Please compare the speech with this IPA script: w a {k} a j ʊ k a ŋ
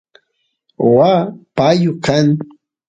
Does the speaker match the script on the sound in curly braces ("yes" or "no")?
no